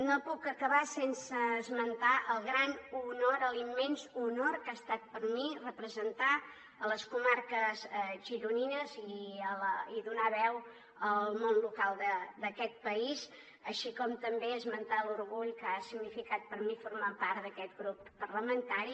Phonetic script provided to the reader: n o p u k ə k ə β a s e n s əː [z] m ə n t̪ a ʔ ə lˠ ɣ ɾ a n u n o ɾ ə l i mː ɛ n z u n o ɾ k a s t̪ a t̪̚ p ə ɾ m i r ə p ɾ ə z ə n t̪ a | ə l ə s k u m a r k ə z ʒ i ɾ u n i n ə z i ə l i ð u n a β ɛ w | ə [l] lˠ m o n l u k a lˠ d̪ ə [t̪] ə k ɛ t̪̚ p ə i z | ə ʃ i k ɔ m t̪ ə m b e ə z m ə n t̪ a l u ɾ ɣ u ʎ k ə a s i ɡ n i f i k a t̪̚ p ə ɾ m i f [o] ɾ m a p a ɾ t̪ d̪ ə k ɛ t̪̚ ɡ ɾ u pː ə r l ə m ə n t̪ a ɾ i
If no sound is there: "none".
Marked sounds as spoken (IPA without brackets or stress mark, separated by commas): z, l, d̪, u